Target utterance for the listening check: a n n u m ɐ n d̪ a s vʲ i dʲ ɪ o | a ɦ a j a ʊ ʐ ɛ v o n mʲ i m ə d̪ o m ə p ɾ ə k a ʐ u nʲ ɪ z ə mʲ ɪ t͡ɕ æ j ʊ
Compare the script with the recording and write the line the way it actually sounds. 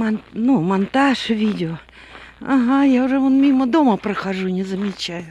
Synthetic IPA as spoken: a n n u m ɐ n t̪ a ʂ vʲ i dʲ ɪ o | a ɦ a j a ʊ ʐ ɛ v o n mʲ i m ə d̪ o m ə p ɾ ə x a ʐ u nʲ ɪ z ə mʲ ɪ t͡ɕ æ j ʊ